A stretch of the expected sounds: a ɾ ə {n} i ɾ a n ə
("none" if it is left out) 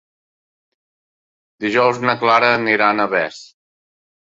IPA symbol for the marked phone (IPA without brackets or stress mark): n